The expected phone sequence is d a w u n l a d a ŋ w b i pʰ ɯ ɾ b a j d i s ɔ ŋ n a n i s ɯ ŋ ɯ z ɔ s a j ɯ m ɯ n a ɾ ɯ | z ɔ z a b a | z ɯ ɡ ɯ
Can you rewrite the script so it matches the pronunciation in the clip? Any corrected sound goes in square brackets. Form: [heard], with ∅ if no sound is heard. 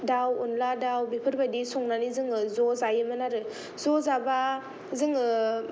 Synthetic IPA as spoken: d a w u n l a d a [∅] w b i pʰ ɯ ɾ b a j d i s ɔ ŋ n a n i [z] ɯ ŋ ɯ z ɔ [z] a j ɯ m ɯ n a ɾ ɯ | z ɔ z a b a | z ɯ [ŋ] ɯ